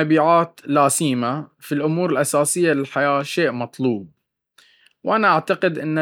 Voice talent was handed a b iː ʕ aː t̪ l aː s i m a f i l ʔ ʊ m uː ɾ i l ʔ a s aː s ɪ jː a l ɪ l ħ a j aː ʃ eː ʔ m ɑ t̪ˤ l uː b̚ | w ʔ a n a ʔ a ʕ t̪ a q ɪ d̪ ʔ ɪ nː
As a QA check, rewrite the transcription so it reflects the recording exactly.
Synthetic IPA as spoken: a b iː ʕ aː t̪ l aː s iː m a f i l ʔ ʊ m uː ɾ ɪ l ʔ a s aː s ɪ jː a l ɪ l ħ a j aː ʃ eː ʔ m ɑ t̪ˤ l uː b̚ | w ʔ a n a ʔ a ʕ t̪ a q ɪ d̪ ʔ ɪ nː